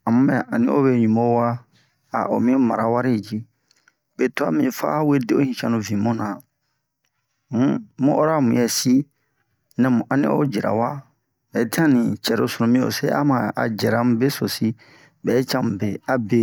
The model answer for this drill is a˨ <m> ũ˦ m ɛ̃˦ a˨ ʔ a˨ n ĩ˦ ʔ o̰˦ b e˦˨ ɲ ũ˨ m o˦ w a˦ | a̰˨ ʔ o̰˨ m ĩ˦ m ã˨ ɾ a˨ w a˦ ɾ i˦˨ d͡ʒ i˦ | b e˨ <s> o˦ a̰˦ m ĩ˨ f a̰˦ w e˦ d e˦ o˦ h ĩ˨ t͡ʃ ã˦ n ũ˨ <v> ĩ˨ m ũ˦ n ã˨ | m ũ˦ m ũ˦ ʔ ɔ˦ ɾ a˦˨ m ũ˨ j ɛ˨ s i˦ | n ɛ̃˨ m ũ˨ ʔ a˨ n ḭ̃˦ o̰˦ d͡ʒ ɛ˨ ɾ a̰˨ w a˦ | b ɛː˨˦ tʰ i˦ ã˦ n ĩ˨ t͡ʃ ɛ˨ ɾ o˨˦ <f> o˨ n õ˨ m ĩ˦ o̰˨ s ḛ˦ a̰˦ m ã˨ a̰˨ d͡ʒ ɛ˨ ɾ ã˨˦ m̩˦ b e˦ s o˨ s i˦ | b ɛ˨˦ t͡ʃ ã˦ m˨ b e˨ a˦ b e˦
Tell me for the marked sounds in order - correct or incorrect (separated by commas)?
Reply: correct, incorrect, correct, incorrect